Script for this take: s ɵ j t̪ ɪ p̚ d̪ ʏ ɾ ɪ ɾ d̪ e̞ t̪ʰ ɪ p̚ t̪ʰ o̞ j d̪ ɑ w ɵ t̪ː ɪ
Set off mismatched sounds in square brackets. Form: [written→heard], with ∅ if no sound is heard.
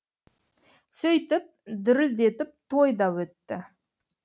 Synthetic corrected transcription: s ɵ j t̪ ɪ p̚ d̪ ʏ ɾ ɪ [ɾ→l] d̪ e̞ [t̪ʰ→t̪] ɪ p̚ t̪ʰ o̞ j d̪ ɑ w ɵ t̪ː ɪ

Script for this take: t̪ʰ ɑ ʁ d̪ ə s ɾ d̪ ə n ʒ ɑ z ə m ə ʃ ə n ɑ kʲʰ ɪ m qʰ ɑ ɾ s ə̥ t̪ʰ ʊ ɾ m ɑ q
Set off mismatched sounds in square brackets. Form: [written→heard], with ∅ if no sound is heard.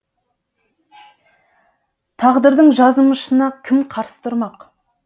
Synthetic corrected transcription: t̪ʰ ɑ ʁ d̪ ə [s→∅] ɾ d̪ ə [n→ɴ] ʒ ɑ z ə m ə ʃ ə n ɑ kʲʰ ɪ m qʰ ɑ ɾ s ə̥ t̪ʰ ʊ ɾ m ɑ q

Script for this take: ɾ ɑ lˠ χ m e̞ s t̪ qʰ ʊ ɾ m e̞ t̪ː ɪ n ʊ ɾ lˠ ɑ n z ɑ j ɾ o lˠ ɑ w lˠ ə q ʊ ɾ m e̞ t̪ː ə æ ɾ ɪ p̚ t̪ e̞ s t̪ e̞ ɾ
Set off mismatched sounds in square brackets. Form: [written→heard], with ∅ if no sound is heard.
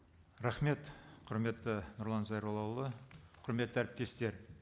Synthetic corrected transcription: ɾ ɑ [lˠ→∅] χ m e̞ [s→∅] t̪ qʰ ʊ ɾ m e̞ t̪ː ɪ n ʊ ɾ lˠ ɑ n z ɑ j ɾ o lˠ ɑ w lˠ ə [q→qʰ] ʊ ɾ m e̞ t̪ː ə æ ɾ ɪ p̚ t̪ e̞ s t̪ e̞ ɾ

